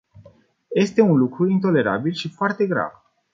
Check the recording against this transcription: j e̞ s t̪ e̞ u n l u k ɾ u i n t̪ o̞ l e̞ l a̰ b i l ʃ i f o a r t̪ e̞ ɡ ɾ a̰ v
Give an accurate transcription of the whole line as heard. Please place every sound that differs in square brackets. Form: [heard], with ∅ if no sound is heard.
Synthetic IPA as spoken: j e̞ s t̪ e̞ u n l u k ɾ u i n t̪ o̞ l e̞ [ɾ] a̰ b i l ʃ i f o a r t̪ e̞ ɡ ɾ a̰ v